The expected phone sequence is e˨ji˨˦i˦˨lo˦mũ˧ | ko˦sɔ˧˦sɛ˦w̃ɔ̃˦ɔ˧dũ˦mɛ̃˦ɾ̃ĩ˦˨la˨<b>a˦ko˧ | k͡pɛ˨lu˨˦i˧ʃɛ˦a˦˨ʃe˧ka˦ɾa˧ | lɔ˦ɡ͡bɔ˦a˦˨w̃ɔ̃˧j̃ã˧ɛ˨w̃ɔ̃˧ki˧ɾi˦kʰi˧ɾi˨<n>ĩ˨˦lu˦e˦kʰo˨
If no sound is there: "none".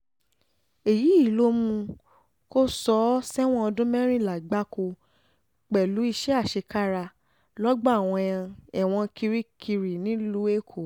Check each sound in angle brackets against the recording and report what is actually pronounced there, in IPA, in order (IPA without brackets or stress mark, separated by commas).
ɡ͡b, n